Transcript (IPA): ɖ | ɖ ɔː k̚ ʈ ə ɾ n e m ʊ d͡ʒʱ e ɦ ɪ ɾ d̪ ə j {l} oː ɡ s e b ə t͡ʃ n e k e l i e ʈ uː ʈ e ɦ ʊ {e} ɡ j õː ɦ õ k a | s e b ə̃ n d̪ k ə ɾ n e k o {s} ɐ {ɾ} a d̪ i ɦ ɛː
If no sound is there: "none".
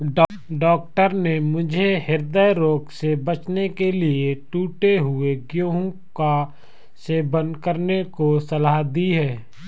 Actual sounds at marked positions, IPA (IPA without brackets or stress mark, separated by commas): ɾ, e, s, l